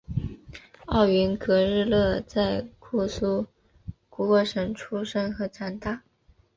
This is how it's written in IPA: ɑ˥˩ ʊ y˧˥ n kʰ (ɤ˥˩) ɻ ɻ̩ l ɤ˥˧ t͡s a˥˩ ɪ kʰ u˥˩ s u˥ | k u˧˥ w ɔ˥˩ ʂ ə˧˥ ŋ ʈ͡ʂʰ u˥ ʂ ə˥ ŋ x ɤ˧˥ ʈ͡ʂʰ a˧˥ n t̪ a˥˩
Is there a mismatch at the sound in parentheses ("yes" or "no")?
yes